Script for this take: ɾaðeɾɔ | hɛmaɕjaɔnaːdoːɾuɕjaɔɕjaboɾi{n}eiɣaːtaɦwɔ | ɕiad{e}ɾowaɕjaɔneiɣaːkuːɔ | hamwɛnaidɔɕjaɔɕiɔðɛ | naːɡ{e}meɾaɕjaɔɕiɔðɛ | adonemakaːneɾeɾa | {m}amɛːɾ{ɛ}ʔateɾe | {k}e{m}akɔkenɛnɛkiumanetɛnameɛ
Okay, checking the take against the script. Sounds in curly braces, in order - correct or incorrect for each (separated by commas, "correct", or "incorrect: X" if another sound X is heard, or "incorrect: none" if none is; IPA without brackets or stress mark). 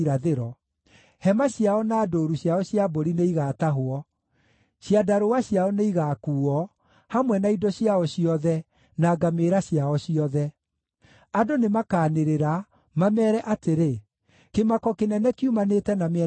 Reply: correct, incorrect: a, incorrect: a, correct, correct, correct, correct